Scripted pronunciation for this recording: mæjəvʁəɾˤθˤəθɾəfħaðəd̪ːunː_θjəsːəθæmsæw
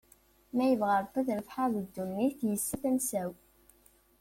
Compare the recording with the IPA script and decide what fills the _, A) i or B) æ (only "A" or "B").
A